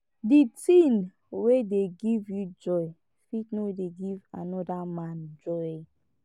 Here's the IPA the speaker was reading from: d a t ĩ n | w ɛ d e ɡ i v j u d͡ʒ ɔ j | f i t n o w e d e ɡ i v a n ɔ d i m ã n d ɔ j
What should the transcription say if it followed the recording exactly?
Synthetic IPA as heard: d i t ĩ n | w e d e ɡ i v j u d͡ʒ ɔ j | f i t n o w e d e ɡ i v a n ɔ d a m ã n d͡ʒ ɔ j